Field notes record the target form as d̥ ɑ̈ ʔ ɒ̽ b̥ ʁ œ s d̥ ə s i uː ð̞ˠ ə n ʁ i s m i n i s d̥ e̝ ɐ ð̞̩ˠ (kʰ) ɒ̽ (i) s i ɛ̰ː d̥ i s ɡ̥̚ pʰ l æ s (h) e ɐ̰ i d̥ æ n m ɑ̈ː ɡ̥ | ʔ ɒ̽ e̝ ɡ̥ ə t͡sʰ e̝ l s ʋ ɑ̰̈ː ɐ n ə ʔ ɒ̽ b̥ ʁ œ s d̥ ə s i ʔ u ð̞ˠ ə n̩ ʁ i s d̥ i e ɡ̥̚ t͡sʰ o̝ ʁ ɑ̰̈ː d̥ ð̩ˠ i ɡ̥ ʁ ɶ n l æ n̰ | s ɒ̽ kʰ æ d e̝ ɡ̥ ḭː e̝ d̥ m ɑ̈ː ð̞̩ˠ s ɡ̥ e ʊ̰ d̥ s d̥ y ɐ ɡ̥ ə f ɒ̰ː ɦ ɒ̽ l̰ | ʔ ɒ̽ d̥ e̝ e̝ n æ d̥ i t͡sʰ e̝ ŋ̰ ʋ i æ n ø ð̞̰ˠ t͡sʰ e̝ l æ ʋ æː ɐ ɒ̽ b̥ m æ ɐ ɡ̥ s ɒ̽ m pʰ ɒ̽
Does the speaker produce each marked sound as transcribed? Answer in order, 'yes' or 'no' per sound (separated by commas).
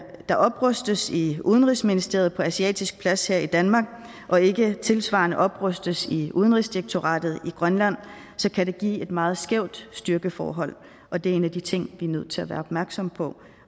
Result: no, no, yes